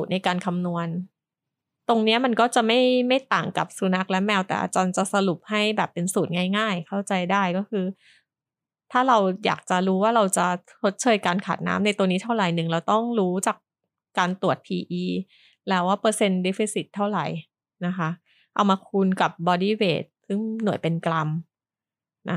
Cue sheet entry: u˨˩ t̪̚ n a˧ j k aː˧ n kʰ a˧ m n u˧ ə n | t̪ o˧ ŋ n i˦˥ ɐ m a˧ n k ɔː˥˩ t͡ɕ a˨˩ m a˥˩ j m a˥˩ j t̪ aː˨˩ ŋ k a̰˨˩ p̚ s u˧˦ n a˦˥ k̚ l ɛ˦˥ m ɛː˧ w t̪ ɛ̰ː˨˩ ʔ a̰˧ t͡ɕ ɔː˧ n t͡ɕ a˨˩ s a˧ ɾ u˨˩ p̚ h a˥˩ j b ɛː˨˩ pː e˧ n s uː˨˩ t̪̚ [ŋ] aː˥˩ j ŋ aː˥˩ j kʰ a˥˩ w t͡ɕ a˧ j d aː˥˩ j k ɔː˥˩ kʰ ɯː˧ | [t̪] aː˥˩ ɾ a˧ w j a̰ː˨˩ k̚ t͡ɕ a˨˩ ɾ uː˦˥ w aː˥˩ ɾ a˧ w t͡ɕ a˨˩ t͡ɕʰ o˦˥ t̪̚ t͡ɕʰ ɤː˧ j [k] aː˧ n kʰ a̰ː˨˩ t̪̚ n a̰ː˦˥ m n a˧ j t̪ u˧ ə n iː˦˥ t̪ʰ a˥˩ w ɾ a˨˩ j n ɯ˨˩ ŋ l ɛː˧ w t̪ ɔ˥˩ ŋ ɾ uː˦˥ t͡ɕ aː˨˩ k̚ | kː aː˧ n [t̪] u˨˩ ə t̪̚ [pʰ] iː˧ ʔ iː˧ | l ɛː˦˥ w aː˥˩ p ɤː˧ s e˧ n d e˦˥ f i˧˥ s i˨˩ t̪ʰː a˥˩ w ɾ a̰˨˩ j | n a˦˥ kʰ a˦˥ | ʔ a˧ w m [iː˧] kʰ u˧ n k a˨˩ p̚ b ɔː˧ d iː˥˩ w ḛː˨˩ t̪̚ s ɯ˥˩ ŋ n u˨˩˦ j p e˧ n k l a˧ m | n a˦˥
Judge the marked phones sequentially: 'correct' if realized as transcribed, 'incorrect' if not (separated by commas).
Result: correct, incorrect, correct, correct, correct, incorrect